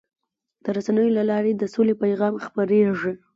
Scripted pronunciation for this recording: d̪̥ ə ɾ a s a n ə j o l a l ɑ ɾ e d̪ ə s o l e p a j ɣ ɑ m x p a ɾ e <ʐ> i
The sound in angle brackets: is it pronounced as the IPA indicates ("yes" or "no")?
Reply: yes